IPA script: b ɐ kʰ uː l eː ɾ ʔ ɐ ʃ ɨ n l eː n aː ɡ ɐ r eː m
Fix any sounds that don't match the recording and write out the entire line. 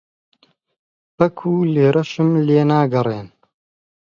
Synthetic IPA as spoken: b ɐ kʰ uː l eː ɾ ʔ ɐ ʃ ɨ m l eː n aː ɡ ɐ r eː n